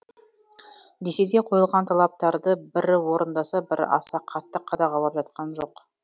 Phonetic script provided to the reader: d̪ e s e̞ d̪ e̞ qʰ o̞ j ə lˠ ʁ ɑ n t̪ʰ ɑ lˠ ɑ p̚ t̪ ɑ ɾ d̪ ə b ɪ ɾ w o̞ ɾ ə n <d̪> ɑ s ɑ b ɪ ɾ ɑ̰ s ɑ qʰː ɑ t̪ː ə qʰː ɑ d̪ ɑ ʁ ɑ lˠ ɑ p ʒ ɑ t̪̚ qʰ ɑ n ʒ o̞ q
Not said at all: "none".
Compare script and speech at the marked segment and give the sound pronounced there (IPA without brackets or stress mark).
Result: d̪